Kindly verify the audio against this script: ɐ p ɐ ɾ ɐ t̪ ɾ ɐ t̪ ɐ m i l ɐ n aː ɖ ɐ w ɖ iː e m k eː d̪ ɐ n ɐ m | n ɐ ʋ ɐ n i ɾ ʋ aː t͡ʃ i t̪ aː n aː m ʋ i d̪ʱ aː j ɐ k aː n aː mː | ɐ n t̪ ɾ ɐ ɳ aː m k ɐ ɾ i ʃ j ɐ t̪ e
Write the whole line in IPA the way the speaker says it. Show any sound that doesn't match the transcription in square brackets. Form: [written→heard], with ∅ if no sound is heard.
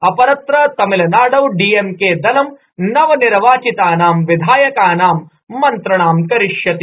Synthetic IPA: ɐ p ɐ ɾ ɐ t̪ ɾ ɐ t̪ ɐ m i l ɐ n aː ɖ ɐ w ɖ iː e m k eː d̪ ɐ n ɐ m | n ɐ ʋ ɐ n i ɾ ʋ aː t͡ʃ i t̪ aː n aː m ʋ i d̪ʱ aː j ɐ k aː n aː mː | ɐ n t̪ ɾ ɐ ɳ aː m k ɐ ɾ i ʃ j ɐ t̪ [e→i]